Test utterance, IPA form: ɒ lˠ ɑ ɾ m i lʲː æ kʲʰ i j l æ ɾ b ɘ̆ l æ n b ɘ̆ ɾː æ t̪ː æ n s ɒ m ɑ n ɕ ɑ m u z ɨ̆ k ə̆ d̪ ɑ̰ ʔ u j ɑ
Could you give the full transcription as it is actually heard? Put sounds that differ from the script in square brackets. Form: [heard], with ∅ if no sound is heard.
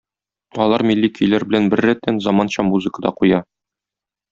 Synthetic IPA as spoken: ɒ lˠ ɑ ɾ m i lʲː [i] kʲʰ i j l æ ɾ b ɘ̆ l æ n b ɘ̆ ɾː æ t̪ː æ n [z] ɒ m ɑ n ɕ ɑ m u z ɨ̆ k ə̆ d̪ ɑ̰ [q] u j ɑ